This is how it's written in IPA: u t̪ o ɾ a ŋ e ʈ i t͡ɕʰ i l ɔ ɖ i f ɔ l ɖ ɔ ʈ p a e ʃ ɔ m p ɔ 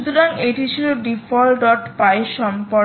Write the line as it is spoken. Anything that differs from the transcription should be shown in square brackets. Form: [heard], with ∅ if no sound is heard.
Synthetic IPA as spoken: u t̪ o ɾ a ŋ e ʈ i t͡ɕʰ i l [o] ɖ i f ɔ l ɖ ɔ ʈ p a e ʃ ɔ m p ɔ

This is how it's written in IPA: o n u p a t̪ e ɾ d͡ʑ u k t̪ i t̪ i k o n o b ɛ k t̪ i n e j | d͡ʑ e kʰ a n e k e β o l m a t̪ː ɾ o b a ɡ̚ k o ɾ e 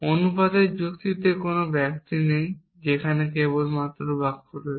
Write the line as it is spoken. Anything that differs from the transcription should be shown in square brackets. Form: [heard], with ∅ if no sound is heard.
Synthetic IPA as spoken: o n u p a [d̪] e ɾ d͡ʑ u k t̪ i t̪ [e] k o n o b ɛ k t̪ i n e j | d͡ʑ e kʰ a n e k e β o l m a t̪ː ɾ o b a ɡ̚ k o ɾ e

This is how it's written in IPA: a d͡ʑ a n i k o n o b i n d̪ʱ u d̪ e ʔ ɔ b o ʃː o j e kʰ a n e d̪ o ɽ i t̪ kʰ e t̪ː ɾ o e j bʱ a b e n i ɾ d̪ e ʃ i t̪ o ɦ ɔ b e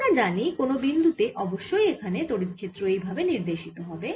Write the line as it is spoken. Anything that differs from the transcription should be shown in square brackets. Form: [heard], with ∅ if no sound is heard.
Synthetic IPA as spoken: a d͡ʑ a n i k o n o b i n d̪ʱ u [t̪] e ʔ ɔ b o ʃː o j e kʰ a n e [t̪] o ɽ i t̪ kʰ e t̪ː ɾ o e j bʱ a b e n i ɾ d̪ e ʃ i t̪ o ɦ ɔ b e

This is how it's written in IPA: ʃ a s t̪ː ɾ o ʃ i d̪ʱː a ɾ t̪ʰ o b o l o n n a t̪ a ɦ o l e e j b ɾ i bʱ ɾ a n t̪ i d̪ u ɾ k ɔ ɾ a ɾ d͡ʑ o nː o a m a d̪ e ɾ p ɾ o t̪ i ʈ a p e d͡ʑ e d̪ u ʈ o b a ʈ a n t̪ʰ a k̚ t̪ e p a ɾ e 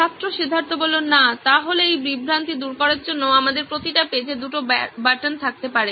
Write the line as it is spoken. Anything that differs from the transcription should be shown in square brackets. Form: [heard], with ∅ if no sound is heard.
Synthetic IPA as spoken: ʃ a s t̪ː ɾ o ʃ i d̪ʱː a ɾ [t̪] o b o l o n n a t̪ a ɦ o l e e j b ɾ i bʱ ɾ a n t̪ i d̪ u ɾ k ɔ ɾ a ɾ d͡ʑ o nː o a m a d̪ e ɾ p ɾ o t̪ i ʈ a p e d͡ʑ e d̪ u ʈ o b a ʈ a n t̪ʰ a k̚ t̪ e p a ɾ e

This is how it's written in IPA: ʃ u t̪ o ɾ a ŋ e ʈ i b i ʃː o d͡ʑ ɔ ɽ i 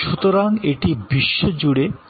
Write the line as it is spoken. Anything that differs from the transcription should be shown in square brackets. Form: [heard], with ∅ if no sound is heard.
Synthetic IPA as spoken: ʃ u t̪ o ɾ a ŋ e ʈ i b i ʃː o d͡ʑ [u] ɽ [e]

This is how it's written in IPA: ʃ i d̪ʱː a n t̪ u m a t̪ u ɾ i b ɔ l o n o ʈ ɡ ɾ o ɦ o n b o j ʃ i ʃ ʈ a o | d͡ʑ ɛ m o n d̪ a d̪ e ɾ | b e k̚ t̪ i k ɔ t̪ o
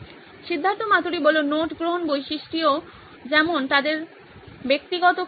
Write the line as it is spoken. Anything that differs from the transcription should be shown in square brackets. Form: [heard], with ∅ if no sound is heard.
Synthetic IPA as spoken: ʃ i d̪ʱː a n t̪ [o] m a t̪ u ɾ i b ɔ l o n o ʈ ɡ ɾ o ɦ o n b o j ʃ i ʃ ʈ [i] o | d͡ʑ ɛ m o n [t̪] a d̪ e ɾ | b e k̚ t̪ i [ɡ] ɔ t̪ o

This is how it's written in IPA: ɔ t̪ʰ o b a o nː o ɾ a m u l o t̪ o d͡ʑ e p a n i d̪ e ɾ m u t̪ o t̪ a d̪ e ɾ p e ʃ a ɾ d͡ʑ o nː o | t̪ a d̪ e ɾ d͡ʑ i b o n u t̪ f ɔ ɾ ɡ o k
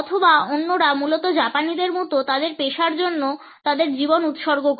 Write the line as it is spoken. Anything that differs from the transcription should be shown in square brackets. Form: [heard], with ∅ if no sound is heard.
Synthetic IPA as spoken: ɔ t̪ʰ o b a o nː o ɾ a m u l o t̪ o d͡ʑ [a] p a n i d̪ e ɾ m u t̪ o t̪ a d̪ e ɾ p e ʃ a ɾ d͡ʑ o nː o | t̪ a d̪ e ɾ d͡ʑ i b o n u t̪ [ʃ] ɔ ɾ ɡ o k

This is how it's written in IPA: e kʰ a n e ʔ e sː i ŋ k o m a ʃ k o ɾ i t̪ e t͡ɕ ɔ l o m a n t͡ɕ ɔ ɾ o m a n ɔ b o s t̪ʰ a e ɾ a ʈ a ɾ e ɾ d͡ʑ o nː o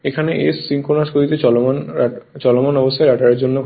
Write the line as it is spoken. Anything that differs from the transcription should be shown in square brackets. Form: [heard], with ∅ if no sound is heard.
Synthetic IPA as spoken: e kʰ a n e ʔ e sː i ŋ k o [n] a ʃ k o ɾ i t̪ e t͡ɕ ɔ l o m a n t͡ɕ ɔ [l] o m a n ɔ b o s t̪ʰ a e ɾ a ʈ a ɾ e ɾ d͡ʑ o nː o

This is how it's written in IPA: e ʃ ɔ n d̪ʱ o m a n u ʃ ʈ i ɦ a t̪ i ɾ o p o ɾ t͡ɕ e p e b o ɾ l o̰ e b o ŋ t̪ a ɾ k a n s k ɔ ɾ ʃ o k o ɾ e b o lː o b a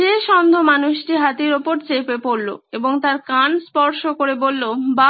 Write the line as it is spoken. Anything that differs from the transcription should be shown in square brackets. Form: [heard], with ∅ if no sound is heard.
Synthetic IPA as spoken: e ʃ ɔ n d̪ʱ o m a n u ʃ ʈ i ɦ a t̪ i ɾ o p o ɾ t͡ɕ e p e [p] o ɾ l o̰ e b o ŋ t̪ a ɾ k a n s [p] ɔ ɾ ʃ o k o ɾ e b o lː o b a

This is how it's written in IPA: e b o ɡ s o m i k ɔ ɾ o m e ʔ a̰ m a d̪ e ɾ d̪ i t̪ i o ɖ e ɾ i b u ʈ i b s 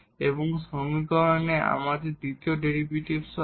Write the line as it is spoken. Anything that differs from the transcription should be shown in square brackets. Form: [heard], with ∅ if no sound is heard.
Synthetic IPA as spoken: e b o [ŋ] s o m i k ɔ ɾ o [n] e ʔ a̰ m a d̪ e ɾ d̪ i t̪ i o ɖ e ɾ i b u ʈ i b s

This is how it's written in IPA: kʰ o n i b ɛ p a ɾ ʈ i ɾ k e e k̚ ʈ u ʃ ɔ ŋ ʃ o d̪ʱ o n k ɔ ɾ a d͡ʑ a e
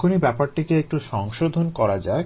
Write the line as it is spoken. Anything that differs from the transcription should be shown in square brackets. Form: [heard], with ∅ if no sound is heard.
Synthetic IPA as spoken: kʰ o n i b ɛ p a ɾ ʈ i [∅] k e e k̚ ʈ u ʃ ɔ ŋ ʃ o d̪ʱ o n k ɔ ɾ a d͡ʑ a e

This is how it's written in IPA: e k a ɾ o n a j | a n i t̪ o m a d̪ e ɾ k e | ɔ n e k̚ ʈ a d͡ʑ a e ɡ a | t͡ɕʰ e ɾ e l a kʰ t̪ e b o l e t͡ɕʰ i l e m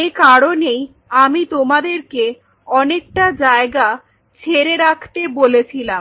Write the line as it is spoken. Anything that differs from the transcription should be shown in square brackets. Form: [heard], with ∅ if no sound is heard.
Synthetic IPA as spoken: e k a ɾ o n [e] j | a [m] i t̪ o m a d̪ e ɾ k e | ɔ n e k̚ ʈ a d͡ʑ a e ɡ a | t͡ɕʰ e ɾ e [ɾ] a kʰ t̪ e b o l e t͡ɕʰ i l [a] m

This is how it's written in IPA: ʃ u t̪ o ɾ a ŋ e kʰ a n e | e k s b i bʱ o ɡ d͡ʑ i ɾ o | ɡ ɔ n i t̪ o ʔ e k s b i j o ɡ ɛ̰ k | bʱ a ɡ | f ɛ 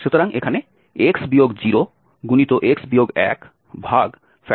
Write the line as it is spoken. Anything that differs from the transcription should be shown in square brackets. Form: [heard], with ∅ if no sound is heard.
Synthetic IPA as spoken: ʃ u t̪ o ɾ a ŋ e kʰ a n e | e k s b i [∅] o ɡ d͡ʑ i ɾ o | ɡ [u] n i t̪ o ʔ e k s b i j o ɡ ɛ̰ k | bʱ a ɡ | f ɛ

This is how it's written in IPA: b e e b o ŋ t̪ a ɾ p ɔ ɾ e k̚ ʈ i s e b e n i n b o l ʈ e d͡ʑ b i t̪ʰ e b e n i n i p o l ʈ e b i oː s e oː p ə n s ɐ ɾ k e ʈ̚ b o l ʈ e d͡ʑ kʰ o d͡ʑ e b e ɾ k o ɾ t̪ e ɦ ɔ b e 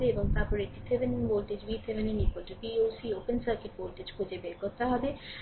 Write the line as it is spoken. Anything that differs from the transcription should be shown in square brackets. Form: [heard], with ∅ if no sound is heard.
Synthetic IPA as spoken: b e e b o ŋ t̪ a ɾ p ɔ ɾ e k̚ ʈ i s e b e n i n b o l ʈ e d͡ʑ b i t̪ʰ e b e n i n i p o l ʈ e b i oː s [i] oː p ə n s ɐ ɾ k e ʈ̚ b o l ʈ e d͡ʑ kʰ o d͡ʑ e b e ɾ k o ɾ t̪ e ɦ ɔ b e

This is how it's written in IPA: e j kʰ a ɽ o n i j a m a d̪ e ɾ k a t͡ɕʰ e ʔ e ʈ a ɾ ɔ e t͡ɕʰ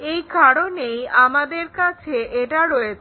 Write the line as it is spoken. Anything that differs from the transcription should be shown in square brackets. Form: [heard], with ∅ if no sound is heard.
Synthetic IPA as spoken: e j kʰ a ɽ o n [e] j a m a d̪ e ɾ k a t͡ɕʰ e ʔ e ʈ a ɾ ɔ e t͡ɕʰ

